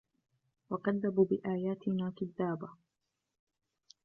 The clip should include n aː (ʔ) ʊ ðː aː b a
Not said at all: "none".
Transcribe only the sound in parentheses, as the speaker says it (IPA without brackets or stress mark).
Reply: k